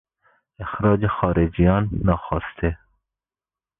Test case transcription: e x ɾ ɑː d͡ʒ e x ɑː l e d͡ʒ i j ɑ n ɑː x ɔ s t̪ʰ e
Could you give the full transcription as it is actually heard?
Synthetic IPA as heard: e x ɾ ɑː d͡ʒ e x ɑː ɾ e d͡ʒ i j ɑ nː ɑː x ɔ s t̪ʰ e